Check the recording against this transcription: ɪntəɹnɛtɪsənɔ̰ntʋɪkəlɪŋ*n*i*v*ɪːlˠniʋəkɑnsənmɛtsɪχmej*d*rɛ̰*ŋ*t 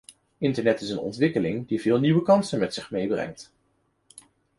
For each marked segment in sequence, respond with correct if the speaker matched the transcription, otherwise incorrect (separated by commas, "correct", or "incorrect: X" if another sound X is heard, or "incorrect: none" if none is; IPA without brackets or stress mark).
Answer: incorrect: d, correct, incorrect: b, correct